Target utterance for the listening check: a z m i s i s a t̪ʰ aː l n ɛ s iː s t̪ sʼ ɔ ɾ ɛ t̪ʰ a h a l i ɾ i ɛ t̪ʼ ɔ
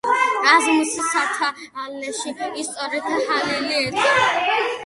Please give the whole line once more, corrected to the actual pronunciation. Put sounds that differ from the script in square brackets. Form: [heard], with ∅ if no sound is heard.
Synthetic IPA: a z m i s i s a t̪ʰ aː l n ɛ [ʃ] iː s t̪ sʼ ɔ ɾ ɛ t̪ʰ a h a l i [l] i ɛ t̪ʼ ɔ